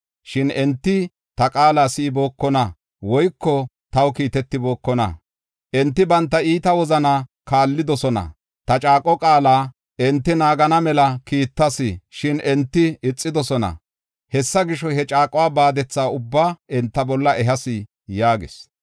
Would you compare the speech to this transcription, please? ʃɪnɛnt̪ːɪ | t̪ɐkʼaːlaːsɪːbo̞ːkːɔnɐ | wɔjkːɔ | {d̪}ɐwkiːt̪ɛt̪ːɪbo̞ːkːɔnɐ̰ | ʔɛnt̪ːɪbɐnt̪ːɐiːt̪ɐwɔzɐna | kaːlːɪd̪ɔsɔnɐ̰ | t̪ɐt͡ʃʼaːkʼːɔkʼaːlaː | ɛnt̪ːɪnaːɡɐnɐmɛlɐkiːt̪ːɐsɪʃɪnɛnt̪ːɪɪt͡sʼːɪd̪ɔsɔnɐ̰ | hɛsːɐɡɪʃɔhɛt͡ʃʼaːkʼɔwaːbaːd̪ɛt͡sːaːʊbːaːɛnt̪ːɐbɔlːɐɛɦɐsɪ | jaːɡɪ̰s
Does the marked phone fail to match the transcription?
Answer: yes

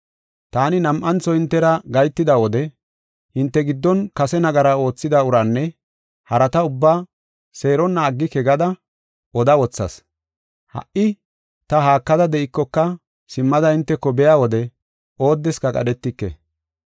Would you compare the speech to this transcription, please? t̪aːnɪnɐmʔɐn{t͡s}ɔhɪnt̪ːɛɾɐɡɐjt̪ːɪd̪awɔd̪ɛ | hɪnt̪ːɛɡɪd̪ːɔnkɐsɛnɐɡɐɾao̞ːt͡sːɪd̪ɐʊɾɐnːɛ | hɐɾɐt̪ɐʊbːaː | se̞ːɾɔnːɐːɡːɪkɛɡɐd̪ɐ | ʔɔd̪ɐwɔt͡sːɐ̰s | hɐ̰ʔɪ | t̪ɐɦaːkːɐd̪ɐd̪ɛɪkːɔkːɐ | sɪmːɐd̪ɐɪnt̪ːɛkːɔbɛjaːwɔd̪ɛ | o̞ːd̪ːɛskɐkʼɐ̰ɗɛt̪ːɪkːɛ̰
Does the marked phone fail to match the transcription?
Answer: no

